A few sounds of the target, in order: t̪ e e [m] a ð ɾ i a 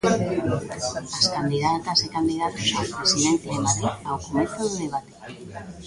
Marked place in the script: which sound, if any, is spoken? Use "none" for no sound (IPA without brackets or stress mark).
m